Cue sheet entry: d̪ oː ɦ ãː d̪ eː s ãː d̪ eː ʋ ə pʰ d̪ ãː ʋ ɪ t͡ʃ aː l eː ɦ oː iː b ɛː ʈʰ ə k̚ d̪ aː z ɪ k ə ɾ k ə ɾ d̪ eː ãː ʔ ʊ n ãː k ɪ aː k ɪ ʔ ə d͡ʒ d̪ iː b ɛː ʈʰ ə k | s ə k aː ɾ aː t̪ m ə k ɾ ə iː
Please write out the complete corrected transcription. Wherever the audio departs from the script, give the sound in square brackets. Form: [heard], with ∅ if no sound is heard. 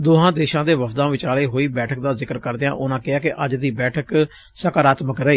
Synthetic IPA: d̪ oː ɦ ãː d̪ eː [ʃ] ãː d̪ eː ʋ ə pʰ d̪ ãː ʋ ɪ t͡ʃ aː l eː ɦ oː iː b ɛː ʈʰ ə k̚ d̪ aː z ɪ k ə ɾ k ə ɾ d̪ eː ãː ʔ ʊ n ãː k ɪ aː k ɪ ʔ ə d͡ʒ d̪ iː b ɛː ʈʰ ə k | s ə k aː ɾ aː t̪ m ə k ɾ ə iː

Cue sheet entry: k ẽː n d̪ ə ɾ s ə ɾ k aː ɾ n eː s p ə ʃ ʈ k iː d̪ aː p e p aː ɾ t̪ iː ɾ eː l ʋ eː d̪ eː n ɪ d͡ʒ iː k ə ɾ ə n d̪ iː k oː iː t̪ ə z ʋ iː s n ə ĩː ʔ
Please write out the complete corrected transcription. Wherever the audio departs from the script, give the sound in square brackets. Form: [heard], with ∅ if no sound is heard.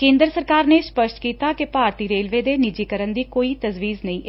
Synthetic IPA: k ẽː n d̪ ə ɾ s ə ɾ k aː ɾ n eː s p ə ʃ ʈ k iː [t̪] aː [k] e p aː ɾ t̪ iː ɾ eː l ʋ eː d̪ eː n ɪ d͡ʒ iː k ə ɾ ə n d̪ iː k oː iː t̪ ə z ʋ iː [z] n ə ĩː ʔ

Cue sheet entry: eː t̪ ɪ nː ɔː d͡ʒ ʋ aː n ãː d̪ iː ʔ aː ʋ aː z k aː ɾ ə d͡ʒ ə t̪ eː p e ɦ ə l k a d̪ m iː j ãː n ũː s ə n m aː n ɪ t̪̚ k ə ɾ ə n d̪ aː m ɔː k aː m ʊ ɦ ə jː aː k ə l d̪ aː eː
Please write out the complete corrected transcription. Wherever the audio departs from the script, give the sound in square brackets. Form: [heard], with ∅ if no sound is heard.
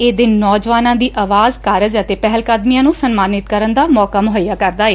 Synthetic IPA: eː [d̪] ɪ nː ɔː d͡ʒ ʋ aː n ãː d̪ iː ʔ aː ʋ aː z k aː ɾ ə d͡ʒ ə t̪ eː p [ɛ] ɦ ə l k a d̪ m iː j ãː n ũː s ə n m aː n ɪ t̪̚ k ə ɾ ə n d̪ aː m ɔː k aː m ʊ ɦ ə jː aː k ə [ɾ] d̪ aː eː

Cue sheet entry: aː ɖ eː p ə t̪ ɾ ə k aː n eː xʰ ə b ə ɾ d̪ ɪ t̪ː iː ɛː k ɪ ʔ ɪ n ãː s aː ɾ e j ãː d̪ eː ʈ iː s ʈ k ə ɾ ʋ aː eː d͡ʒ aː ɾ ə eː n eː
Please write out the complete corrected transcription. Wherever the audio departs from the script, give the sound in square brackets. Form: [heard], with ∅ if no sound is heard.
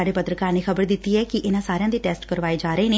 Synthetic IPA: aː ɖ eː p ə t̪ ɾ ə k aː n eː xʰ ə b ə ɾ d̪ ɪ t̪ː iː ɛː k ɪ ʔ ɪ n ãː s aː ɾ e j ãː d̪ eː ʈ [ɛː] s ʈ k ə ɾ ʋ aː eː d͡ʒ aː ɾ ə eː n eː

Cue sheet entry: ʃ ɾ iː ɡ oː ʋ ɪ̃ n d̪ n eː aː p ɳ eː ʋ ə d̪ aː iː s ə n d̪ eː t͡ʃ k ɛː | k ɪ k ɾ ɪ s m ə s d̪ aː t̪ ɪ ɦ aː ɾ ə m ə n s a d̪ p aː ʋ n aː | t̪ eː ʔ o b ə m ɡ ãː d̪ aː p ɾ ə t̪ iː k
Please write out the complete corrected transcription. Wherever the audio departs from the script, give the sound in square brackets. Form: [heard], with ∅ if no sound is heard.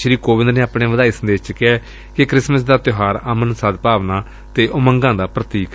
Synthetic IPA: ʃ ɾ iː [k] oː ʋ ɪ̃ n d̪ n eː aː p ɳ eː ʋ ə d̪ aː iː s ə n d̪ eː t͡ʃ k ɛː | k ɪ k ɾ ɪ s m ə s d̪ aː t̪ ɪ ɦ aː ɾ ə m ə n s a d̪ p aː ʋ n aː | t̪ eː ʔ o [m] ə [ŋ] ɡ ãː d̪ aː p ɾ ə t̪ iː k

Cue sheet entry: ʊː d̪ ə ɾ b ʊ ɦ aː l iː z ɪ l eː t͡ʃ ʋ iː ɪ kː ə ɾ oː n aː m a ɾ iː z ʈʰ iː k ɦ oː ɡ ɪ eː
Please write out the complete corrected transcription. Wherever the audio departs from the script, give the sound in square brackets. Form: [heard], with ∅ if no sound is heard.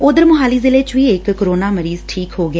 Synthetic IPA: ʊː d̪ ə ɾ [m] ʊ ɦ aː l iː z ɪ l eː t͡ʃ ʋ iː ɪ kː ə ɾ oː n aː m [ə] ɾ iː z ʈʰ iː k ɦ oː ɡ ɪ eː

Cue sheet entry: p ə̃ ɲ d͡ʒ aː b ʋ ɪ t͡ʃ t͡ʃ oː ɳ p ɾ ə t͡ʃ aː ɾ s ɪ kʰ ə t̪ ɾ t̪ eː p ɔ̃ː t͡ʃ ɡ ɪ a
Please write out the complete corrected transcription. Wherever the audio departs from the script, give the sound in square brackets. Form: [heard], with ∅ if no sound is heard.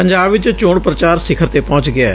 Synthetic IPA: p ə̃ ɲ d͡ʒ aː b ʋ ɪ t͡ʃ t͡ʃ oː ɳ p ɾ ə t͡ʃ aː ɾ s ɪ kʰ ə [∅] ɾ t̪ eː p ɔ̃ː t͡ʃ ɡ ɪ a

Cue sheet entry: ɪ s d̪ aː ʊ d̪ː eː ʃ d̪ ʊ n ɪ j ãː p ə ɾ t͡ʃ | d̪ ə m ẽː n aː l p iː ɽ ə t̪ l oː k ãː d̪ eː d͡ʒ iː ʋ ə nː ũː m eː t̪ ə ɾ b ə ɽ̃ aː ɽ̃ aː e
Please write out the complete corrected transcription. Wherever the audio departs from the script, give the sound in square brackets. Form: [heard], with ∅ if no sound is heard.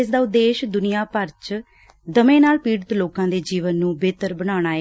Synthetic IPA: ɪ s d̪ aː ʊ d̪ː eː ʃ d̪ ʊ n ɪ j [aː] p ə ɾ t͡ʃ | d̪ ə m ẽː n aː l p iː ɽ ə t̪ l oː k ãː d̪ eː d͡ʒ iː ʋ ə nː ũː [b] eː t̪ ə ɾ b ə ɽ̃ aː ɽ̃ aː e

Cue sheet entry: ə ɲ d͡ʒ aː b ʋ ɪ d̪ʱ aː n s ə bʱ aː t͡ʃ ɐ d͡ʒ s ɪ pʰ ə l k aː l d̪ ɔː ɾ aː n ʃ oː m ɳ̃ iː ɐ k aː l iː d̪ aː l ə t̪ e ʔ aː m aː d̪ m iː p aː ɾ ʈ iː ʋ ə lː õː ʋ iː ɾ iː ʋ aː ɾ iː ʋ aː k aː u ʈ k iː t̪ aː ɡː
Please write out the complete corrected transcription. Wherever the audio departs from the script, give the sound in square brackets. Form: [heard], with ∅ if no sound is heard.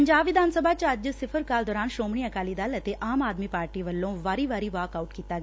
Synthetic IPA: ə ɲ d͡ʒ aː b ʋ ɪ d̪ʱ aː n s ə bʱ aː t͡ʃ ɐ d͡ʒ s ɪ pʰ ə [ɾ] k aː l d̪ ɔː ɾ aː n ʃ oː m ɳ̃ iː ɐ k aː l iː d̪ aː l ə t̪ e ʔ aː m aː d̪ m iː p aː ɾ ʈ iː ʋ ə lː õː ʋ [aː] ɾ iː ʋ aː ɾ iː ʋ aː k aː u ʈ k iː t̪ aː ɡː

